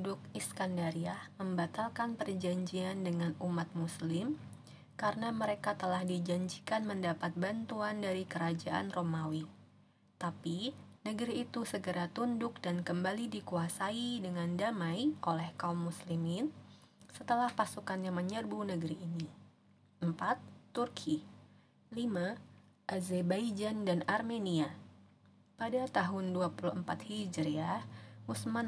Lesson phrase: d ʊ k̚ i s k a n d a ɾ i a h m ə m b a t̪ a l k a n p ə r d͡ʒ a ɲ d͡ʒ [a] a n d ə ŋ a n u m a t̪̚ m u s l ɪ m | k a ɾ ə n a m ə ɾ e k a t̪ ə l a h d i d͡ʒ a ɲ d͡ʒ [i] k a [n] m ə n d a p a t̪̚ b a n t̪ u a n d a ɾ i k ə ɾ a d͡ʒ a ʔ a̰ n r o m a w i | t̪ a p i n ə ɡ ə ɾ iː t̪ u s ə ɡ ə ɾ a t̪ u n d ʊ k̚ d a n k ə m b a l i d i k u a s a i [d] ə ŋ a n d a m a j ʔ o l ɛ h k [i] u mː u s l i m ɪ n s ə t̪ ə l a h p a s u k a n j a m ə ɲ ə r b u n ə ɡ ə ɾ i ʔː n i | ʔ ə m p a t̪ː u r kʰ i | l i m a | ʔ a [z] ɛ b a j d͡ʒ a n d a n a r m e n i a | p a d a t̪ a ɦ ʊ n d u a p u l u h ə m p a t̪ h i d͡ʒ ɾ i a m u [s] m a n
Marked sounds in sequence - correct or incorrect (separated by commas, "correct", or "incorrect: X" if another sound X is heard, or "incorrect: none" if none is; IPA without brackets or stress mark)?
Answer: incorrect: i, correct, correct, correct, incorrect: a, correct, correct